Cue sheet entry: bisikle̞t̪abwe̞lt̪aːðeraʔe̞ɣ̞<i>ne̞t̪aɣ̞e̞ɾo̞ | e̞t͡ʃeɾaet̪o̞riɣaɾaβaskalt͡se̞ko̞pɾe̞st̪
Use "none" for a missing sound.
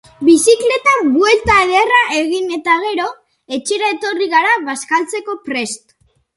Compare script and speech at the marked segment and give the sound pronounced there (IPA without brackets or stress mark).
i